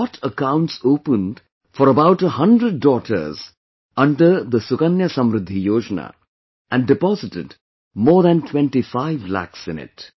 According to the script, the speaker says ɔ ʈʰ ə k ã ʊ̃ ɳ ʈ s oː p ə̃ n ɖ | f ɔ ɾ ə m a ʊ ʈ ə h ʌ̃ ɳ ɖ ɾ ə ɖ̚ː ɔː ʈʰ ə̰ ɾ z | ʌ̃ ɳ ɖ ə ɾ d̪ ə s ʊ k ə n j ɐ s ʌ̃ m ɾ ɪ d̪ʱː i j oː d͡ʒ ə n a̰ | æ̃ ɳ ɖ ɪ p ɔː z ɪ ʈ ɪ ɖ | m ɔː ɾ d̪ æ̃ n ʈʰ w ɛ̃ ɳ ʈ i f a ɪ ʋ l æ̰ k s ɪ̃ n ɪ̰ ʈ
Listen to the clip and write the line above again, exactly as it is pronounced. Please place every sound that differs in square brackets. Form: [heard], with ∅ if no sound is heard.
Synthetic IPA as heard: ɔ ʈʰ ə k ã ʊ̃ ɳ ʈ s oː p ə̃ n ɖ | f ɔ ɾ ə [b] a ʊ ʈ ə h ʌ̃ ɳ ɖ ɾ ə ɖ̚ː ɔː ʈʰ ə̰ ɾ z | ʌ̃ ɳ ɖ ə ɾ d̪ ə s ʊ k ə n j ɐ s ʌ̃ m ɾ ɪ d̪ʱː i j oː d͡ʒ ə n a̰ | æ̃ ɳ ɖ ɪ p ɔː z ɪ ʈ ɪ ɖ | m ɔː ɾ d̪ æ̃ n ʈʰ w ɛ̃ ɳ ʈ i f a ɪ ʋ l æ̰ k s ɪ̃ n ɪ̰ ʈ